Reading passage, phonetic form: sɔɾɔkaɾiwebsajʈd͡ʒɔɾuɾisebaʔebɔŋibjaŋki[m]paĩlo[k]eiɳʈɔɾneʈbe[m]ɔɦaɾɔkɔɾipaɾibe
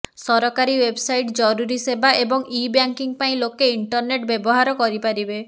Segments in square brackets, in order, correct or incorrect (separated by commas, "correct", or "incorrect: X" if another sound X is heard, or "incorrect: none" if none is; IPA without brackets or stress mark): incorrect: ŋ, correct, incorrect: b